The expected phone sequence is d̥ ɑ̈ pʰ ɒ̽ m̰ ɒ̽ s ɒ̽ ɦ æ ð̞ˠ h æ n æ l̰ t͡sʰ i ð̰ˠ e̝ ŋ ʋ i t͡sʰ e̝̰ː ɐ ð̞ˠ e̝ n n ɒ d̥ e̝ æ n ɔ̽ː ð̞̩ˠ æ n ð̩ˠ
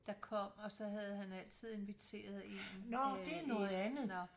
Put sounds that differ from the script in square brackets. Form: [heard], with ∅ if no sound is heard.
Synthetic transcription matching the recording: d̥ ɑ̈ [kʰ] ɒ̽ m̰ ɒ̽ s ɒ̽ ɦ æ ð̞ˠ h æ n æ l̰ t͡sʰ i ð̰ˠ e̝ [n] ʋ i t͡sʰ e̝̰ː ɐ ð̞ˠ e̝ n n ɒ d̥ e̝ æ n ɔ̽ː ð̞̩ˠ æ n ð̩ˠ